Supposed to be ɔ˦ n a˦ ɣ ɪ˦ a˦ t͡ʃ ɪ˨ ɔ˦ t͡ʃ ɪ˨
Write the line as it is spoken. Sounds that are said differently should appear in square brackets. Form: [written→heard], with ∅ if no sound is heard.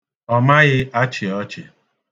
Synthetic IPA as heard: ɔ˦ [n→m] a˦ ɣ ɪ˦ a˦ t͡ʃ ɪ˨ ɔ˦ t͡ʃ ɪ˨